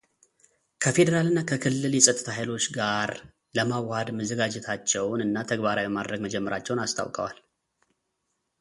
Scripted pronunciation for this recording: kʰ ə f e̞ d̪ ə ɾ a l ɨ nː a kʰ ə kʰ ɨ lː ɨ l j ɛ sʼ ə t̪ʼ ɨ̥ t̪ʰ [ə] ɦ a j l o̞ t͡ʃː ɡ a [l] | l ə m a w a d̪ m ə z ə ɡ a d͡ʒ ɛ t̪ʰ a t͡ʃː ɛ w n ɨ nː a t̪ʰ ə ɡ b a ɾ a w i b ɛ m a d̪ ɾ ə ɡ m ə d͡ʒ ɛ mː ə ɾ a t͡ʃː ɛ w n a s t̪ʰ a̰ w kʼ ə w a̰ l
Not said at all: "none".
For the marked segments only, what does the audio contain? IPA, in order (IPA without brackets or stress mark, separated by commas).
a, ɾ